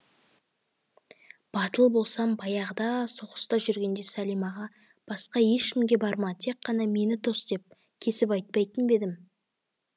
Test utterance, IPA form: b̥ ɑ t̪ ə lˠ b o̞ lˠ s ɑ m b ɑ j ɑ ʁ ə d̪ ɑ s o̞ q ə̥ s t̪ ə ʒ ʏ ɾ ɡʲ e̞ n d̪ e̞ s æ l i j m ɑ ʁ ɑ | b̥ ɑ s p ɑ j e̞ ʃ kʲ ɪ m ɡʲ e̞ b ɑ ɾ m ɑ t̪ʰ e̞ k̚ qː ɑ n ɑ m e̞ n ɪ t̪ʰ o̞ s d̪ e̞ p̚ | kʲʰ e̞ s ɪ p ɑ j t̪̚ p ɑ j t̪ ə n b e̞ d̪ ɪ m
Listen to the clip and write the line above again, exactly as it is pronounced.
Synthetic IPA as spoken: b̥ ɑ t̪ ə lˠ b o̞ lˠ s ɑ m b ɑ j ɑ ʁ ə d̪ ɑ s o̞ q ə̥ s t̪ ɑ ʒ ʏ ɾ ɡʲ e̞ n d̪ e̞ s æ l i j m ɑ ʁ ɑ | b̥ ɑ s q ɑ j e̞ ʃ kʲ ɪ m ɡʲ e̞ b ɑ ɾ m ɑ t̪ʰ e̞ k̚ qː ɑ n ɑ m e̞ n ɪ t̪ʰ o̞ s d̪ e̞ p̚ | kʲʰ e̞ s ɪ p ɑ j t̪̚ p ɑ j t̪ ə n b e̞ d̪ ɪ m